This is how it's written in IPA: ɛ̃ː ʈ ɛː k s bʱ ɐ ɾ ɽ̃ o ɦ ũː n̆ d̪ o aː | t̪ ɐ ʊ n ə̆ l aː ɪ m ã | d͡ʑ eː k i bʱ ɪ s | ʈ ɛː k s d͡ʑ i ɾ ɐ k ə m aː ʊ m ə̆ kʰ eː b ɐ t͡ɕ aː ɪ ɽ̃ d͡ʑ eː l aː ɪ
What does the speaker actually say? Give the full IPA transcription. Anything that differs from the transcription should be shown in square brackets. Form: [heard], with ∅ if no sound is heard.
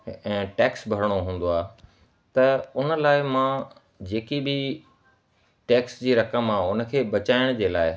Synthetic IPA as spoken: ɛ̃ː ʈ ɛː k s bʱ ɐ ɾ ɽ̃ o ɦ ũː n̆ d̪ o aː | t̪ ɐ ʊ n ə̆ l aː ɪ m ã | d͡ʑ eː k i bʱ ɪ [∅] | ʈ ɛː k s d͡ʑ [iː] ɾ ɐ k ə m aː ʊ [n] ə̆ kʰ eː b ɐ t͡ɕ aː ɪ ɽ̃ d͡ʑ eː l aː ɪ